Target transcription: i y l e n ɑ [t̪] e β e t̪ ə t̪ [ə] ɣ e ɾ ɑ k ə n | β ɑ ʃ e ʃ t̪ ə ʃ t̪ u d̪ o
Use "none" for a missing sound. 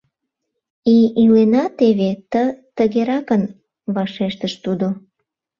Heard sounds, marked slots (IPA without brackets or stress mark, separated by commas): t̪, ə